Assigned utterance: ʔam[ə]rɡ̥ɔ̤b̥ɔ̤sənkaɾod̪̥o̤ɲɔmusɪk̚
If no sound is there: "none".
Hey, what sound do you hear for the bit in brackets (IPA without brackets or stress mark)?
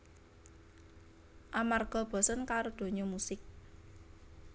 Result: a